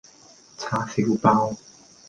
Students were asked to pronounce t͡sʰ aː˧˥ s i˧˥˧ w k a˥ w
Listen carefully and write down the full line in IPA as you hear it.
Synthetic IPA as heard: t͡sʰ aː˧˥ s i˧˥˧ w p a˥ w